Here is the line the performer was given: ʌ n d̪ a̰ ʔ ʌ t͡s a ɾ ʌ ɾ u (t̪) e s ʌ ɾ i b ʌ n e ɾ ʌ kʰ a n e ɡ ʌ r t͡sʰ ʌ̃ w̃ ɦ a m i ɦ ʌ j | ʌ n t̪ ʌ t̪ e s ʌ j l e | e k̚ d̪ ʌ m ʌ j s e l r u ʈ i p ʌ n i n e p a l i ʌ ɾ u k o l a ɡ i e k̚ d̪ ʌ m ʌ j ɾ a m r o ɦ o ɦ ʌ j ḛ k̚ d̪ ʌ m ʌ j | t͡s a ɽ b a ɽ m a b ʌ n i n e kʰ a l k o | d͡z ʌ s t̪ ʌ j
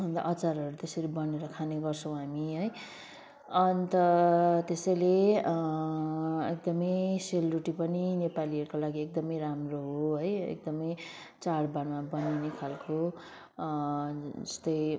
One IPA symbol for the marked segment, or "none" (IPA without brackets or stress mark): t̪